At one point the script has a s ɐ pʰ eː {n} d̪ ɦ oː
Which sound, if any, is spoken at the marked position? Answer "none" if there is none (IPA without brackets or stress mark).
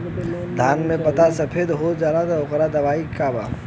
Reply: none